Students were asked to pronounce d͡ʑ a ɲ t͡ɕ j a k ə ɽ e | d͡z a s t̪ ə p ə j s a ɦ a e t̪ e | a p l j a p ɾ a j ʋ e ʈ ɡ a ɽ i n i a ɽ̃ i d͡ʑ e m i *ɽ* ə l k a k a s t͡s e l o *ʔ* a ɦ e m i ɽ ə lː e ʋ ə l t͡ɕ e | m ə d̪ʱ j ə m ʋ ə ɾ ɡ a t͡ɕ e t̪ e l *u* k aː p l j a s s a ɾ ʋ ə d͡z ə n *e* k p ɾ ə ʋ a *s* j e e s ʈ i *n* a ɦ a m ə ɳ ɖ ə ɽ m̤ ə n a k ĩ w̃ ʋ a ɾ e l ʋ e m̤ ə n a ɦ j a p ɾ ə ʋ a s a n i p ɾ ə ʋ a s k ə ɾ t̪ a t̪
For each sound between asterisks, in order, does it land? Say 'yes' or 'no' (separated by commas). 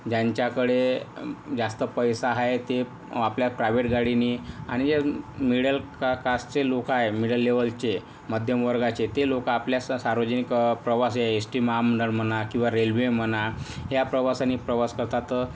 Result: yes, no, no, no, yes, no